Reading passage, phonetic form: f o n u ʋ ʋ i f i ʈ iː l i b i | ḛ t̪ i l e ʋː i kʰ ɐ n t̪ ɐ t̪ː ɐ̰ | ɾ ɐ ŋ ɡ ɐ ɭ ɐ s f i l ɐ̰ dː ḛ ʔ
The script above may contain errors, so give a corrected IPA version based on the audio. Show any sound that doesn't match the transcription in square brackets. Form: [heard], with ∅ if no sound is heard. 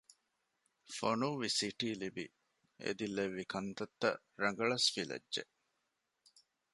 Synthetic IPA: f o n u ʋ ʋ i [s] i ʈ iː l i b i | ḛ [d̪] i l e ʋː i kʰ ɐ n t̪ ɐ t̪ː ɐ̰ | ɾ ɐ ŋ ɡ ɐ ɭ ɐ s f i l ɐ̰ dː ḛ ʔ